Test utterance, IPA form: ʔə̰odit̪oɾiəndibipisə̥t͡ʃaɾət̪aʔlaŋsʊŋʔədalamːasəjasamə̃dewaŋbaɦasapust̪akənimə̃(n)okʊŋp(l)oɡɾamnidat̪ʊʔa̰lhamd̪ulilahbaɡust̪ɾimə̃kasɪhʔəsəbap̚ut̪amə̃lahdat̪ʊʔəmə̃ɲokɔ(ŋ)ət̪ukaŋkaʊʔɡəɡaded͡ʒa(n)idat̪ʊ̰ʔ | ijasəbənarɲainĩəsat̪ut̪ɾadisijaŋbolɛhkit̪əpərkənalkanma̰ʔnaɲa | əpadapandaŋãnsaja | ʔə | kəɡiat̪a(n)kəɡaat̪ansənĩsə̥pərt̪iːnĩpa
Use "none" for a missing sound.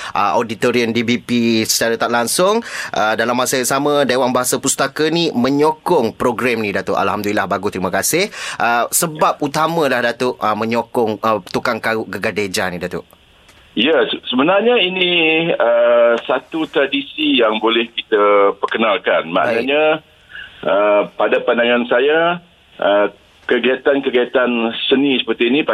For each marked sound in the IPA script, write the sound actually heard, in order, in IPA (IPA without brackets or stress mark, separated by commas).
ɲ, ɾ, ŋ, n, n